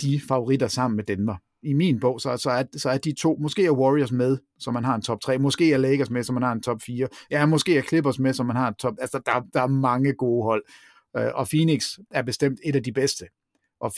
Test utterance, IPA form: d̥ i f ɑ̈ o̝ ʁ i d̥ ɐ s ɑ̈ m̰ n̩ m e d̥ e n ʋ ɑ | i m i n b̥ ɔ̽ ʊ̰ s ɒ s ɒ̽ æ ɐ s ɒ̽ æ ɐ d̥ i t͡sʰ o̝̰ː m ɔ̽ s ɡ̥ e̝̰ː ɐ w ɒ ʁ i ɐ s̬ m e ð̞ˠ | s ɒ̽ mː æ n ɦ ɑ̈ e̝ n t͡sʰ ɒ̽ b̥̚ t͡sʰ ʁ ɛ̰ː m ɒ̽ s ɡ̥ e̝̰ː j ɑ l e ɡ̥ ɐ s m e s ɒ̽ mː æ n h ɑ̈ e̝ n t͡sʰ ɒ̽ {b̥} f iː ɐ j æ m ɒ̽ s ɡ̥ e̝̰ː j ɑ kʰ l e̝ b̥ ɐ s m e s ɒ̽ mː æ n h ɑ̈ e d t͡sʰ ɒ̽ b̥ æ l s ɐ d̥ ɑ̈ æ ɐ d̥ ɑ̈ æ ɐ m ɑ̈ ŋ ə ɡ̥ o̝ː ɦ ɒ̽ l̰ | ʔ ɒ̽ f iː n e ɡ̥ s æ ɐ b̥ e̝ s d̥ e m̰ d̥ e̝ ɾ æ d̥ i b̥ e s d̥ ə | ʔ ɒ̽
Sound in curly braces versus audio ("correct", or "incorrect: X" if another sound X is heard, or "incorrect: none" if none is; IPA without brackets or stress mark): correct